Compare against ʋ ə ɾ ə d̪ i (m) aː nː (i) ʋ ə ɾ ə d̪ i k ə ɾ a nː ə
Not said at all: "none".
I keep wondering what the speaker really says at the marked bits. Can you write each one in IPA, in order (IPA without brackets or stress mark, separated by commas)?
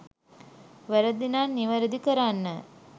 n, i